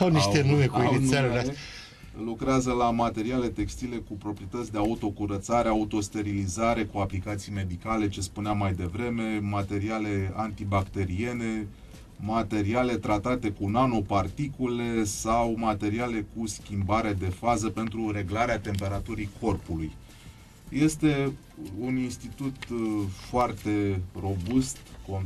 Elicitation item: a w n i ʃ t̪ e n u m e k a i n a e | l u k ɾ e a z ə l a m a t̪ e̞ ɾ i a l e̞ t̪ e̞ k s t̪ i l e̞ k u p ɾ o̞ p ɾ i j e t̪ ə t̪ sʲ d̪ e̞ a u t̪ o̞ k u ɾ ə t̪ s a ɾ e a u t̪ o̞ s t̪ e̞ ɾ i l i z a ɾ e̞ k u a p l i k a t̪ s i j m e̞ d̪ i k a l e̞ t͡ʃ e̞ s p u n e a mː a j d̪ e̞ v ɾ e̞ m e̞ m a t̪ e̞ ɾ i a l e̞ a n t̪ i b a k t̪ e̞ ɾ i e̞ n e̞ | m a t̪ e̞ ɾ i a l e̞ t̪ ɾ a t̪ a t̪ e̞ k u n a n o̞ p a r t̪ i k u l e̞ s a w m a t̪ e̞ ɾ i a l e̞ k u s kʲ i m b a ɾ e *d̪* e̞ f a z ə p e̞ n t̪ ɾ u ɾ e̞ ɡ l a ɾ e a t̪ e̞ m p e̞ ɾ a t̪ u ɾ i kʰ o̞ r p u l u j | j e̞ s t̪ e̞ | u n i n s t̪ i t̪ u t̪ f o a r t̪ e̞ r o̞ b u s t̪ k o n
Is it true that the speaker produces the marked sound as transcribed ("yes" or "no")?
yes